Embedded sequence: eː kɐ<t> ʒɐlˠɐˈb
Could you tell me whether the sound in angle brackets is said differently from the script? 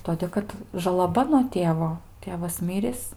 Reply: no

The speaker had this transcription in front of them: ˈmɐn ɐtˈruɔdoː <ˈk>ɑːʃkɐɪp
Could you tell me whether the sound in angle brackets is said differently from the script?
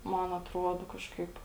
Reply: no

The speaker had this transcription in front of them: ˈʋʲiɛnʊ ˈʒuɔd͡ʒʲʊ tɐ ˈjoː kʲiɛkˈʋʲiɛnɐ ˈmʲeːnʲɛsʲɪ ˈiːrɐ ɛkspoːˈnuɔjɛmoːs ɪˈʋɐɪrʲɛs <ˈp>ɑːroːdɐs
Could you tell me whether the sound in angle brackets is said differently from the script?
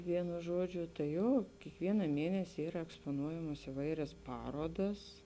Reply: no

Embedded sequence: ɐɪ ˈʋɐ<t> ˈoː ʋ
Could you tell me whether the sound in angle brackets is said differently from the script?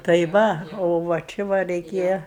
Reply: yes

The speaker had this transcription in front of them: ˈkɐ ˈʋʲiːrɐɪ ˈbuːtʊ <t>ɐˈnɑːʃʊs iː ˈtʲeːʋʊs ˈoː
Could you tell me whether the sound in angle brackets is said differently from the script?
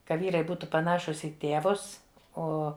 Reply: yes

